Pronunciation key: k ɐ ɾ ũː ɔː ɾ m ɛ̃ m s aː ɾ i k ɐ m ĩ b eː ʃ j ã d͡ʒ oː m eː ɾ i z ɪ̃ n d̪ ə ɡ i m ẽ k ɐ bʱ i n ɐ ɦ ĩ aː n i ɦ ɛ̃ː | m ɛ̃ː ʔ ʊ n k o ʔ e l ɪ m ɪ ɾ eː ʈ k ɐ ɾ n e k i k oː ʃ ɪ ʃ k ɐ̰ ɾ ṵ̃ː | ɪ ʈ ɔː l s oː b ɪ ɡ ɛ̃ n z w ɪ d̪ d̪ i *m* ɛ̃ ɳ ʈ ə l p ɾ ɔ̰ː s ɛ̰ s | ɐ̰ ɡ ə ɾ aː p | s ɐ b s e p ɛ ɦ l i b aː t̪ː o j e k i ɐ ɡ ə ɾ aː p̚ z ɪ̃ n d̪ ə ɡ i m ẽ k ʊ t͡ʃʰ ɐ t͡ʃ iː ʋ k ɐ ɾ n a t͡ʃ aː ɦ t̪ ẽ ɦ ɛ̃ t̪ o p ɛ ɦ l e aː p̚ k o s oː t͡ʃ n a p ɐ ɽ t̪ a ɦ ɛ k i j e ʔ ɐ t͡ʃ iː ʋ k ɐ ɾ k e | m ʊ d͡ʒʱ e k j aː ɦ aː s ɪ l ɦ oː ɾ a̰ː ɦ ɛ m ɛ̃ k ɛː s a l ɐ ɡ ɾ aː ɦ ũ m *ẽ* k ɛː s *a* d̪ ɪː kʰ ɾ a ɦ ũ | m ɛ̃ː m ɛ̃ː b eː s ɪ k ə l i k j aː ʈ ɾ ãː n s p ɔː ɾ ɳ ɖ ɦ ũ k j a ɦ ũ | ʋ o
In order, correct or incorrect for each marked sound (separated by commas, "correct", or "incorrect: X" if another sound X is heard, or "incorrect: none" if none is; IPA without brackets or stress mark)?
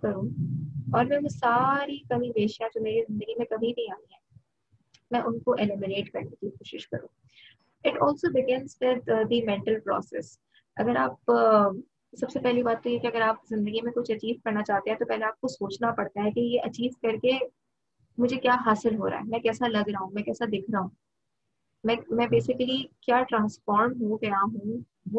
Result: correct, incorrect: ɛ̃, correct